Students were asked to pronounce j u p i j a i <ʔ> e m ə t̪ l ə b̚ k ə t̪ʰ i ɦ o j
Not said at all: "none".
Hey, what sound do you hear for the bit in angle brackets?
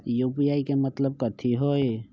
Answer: k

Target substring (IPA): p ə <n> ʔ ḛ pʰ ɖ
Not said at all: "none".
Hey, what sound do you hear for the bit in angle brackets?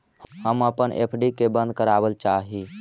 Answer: n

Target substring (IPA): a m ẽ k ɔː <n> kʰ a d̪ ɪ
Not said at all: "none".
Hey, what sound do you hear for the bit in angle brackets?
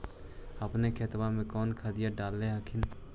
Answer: n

